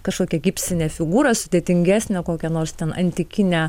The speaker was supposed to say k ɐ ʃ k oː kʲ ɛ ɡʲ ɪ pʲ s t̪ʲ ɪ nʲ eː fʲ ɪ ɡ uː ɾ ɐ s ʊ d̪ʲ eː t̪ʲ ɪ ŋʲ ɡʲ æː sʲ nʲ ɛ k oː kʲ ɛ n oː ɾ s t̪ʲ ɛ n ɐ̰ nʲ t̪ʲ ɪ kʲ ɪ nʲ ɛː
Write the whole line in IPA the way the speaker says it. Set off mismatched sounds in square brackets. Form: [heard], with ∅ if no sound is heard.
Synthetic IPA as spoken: k ɐ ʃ k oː kʲ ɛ ɡʲ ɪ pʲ s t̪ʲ ɪ nʲ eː fʲ ɪ ɡ uː ɾ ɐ s ʊ d̪ʲ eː t̪ʲ ɪ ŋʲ ɡʲ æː sʲ nʲ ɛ k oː kʲ ɛ n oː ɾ s t̪ʲ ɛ n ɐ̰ nʲ t̪ʲ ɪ kʲ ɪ nʲ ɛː